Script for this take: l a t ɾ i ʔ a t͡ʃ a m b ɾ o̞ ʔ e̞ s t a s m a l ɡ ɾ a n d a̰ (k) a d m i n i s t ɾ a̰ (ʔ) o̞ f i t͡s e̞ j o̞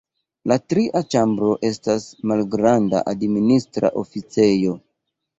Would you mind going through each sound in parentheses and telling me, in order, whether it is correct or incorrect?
incorrect, correct

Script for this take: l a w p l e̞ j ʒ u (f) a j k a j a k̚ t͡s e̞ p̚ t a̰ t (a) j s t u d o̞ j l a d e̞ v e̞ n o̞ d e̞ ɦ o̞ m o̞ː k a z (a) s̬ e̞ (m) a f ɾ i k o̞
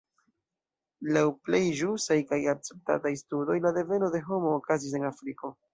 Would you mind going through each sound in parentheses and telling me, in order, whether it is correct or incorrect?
incorrect, correct, incorrect, incorrect

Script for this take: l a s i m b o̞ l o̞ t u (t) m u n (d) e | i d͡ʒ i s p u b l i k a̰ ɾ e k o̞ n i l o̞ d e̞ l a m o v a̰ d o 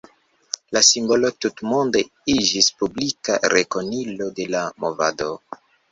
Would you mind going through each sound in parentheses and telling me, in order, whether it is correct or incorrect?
correct, correct

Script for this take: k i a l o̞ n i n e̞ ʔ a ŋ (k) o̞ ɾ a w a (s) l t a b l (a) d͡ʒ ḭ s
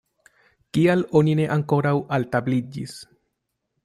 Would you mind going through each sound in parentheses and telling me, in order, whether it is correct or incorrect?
correct, incorrect, incorrect

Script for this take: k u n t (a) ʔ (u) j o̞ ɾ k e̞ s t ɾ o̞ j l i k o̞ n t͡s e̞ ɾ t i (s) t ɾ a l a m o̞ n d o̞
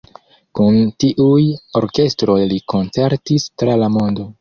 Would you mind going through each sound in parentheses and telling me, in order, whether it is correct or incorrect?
incorrect, correct, correct

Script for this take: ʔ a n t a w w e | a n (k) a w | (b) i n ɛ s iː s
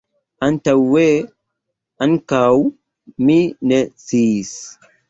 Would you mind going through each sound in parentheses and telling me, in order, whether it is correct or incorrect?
correct, incorrect

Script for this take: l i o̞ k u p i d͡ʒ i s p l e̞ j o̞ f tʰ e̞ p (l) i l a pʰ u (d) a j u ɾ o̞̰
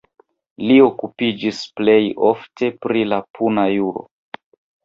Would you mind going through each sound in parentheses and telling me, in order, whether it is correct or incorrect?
incorrect, incorrect

